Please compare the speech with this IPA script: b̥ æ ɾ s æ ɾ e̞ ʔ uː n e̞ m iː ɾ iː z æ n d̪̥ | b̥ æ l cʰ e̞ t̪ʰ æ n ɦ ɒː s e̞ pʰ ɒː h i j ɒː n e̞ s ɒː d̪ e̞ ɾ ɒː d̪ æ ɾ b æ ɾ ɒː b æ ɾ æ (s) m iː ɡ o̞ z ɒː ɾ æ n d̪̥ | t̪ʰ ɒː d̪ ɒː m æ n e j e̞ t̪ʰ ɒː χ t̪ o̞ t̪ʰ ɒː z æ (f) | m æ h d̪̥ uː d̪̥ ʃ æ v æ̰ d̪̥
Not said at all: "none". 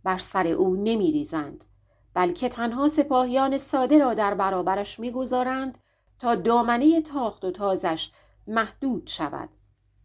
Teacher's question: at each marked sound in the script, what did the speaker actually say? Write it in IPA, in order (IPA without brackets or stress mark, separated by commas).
ʃ, ʃ